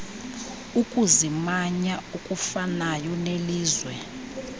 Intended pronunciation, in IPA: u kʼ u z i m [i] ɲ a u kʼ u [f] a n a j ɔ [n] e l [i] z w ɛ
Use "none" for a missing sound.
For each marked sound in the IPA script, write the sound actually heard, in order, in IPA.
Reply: a, f, n, iː

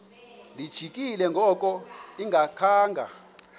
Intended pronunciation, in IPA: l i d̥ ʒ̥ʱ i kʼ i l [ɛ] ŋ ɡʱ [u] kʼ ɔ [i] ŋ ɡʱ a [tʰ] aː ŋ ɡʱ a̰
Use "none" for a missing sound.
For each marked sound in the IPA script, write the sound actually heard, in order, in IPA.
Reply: ɛ, ɔ, i, kʰ

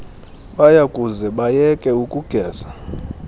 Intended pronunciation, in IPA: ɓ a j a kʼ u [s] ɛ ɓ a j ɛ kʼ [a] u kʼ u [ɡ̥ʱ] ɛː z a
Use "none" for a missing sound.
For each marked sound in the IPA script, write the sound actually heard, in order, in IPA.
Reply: z, ɛ, ɡ̥ʱ

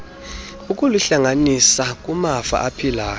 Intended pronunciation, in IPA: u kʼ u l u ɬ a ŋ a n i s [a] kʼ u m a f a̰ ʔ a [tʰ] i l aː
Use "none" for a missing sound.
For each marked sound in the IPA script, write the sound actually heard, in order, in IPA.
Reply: a, pʰ

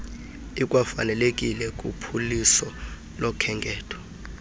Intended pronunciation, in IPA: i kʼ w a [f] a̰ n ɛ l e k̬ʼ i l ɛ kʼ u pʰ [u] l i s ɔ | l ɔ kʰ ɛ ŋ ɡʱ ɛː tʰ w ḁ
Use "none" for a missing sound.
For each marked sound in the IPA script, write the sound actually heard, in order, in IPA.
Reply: f, u

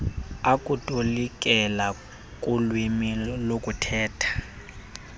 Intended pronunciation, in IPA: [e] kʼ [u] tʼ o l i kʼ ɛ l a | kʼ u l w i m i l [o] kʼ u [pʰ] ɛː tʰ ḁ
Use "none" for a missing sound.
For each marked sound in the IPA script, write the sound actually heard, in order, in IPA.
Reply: a, u, o, tʰ

